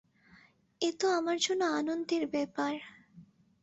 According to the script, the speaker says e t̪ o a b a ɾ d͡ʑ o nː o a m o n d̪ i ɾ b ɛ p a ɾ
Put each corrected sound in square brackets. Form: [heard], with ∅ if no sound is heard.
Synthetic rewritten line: e t̪ o a [m] a ɾ d͡ʑ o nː o a [n] o n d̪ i ɾ b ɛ p a ɾ

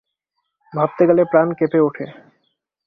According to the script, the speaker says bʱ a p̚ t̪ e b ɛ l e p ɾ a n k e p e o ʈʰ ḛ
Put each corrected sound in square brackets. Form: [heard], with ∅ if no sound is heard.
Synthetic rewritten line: bʱ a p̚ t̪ e [ɡ] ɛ l e p ɾ a n k e p e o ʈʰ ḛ

